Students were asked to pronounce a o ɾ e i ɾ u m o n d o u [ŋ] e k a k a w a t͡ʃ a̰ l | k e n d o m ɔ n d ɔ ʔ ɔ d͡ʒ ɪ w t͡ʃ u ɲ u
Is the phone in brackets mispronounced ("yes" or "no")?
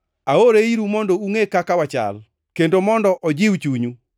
no